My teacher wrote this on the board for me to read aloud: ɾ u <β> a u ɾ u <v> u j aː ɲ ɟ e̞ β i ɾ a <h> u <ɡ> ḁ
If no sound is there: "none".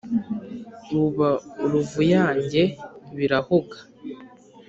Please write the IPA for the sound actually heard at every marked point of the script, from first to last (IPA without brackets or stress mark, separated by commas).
β, v, h, ɡ